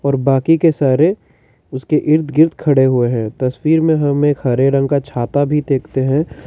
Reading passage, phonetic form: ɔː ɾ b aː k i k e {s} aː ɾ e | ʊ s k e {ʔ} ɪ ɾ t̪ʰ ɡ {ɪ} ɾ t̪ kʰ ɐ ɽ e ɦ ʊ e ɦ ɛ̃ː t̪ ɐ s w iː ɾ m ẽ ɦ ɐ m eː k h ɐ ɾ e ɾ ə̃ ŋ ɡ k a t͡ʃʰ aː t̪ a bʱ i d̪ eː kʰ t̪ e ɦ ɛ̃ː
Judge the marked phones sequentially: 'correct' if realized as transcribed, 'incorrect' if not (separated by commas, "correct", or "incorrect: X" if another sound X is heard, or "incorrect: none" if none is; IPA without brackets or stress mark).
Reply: correct, correct, correct